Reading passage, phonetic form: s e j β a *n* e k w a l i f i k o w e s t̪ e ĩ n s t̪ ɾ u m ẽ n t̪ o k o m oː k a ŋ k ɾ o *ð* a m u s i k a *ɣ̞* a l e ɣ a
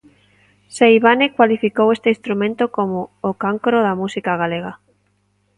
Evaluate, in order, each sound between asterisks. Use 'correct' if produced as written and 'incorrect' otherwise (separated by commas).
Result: correct, correct, correct